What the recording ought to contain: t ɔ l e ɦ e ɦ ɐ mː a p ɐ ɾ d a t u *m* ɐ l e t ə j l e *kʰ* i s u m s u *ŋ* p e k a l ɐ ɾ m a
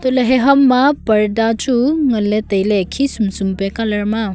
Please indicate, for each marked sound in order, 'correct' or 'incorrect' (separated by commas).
incorrect, correct, incorrect